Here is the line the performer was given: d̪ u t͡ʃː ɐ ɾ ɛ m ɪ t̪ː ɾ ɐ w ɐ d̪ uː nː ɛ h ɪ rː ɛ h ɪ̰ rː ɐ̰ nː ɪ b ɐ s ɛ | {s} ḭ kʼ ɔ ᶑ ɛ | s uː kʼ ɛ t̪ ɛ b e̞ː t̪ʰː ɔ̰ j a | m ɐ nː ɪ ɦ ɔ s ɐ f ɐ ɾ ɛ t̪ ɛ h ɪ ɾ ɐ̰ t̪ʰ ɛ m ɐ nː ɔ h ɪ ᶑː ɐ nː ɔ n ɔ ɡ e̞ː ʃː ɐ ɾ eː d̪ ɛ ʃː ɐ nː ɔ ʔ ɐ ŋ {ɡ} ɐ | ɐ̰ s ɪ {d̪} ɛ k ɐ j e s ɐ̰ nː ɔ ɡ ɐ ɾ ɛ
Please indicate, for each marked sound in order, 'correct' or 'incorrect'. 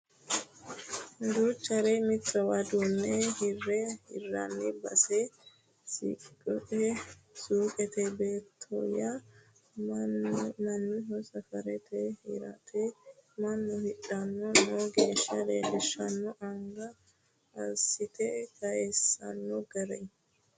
correct, correct, incorrect: t̪

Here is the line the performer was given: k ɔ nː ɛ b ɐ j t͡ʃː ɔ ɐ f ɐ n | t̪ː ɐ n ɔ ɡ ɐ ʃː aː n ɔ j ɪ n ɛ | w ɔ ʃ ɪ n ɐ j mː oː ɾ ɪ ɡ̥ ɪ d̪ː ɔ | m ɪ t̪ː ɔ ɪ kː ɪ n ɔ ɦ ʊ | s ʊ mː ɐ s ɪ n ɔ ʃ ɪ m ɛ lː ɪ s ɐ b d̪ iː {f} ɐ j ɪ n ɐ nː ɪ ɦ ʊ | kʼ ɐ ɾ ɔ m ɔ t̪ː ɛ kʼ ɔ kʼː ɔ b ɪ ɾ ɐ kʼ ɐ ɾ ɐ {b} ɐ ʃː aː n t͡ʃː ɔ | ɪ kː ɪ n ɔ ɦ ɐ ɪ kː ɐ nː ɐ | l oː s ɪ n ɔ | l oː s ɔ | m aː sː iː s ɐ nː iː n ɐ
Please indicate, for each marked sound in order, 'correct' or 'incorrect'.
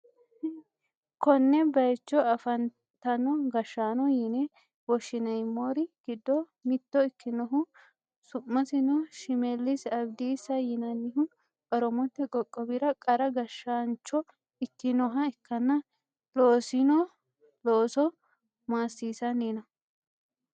incorrect: s, incorrect: ɡ

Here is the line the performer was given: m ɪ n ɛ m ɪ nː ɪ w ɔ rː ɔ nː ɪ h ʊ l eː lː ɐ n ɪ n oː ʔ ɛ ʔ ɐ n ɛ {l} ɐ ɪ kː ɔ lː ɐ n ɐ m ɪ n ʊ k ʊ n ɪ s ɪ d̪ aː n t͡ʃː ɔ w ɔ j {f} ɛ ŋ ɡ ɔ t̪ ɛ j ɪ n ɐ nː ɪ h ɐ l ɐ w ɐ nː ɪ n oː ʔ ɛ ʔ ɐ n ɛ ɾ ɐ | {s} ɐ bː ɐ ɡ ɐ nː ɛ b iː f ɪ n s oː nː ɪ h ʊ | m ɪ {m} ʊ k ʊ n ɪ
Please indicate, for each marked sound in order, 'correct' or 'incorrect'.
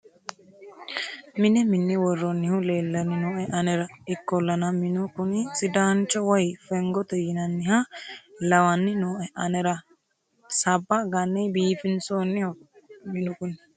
incorrect: ɾ, correct, correct, incorrect: n

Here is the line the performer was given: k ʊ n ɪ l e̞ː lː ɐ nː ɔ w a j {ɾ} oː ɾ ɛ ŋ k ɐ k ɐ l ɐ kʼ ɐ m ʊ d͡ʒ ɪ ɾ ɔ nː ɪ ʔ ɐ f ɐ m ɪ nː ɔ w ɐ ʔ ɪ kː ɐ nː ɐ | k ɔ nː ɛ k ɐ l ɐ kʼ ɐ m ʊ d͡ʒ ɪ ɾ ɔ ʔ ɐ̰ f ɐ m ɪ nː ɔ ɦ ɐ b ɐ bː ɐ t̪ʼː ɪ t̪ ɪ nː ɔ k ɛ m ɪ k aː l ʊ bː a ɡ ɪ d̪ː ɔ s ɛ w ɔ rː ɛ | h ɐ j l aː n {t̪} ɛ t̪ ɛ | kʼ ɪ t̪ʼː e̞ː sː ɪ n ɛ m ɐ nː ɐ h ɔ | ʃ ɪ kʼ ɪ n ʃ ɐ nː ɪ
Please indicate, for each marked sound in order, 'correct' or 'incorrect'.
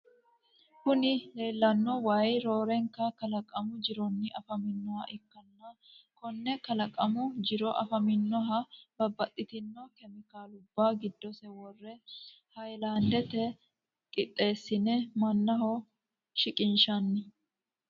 correct, incorrect: d̪

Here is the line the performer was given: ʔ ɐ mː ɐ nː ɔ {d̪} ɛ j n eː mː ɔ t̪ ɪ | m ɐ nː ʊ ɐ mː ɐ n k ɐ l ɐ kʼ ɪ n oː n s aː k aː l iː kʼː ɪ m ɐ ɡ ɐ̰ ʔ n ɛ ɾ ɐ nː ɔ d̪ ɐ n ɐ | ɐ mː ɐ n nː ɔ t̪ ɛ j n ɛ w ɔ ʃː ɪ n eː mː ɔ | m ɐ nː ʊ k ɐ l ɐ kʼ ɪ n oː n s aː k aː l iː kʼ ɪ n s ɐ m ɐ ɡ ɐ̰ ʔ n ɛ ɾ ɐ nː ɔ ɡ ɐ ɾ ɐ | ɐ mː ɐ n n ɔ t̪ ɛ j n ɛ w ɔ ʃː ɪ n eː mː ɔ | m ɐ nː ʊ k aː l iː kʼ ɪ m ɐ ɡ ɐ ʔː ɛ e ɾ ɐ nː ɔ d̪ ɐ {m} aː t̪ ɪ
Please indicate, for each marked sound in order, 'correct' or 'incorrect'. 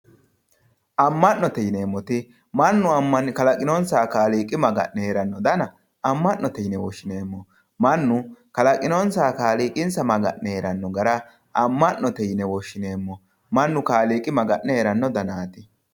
incorrect: t̪, incorrect: n

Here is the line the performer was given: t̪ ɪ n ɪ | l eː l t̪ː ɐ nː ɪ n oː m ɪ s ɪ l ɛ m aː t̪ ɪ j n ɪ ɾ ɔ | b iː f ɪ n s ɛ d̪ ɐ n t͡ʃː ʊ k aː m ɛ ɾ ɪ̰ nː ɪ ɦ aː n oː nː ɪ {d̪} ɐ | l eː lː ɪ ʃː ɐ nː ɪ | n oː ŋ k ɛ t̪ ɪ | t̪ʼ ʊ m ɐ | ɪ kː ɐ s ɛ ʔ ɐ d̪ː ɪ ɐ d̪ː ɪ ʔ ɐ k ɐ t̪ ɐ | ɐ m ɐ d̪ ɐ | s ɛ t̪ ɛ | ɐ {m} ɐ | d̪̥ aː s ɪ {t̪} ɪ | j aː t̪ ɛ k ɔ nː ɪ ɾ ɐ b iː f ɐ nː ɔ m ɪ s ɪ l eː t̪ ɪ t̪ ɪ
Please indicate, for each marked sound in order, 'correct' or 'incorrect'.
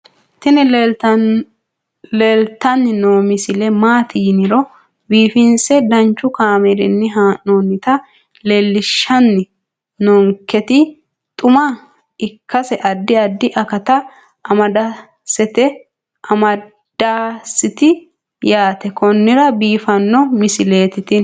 incorrect: t̪, correct, correct

